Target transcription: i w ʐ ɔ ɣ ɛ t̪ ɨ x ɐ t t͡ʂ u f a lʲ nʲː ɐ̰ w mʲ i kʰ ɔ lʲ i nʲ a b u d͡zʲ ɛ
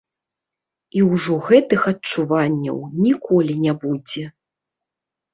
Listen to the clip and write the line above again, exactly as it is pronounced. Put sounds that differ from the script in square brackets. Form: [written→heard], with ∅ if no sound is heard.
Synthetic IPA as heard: i w ʐ ɔ ɣ ɛ t̪ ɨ x ɐ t t͡ʂ u [f→v] a [lʲ→∅] nʲː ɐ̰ w [mʲ→nʲ] i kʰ ɔ lʲ i nʲ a b u d͡zʲ ɛ